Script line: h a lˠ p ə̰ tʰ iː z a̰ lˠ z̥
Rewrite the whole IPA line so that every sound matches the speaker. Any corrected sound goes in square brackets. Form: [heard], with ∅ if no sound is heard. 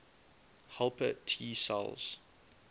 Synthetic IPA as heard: h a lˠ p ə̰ tʰ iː [s] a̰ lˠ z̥